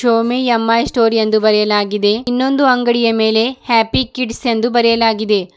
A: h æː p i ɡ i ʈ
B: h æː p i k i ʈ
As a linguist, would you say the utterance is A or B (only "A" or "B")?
B